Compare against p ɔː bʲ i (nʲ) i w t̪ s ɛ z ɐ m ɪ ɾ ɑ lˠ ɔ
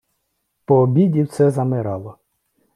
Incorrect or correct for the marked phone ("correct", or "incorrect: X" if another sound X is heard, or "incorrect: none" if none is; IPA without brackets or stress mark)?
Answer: incorrect: dʲ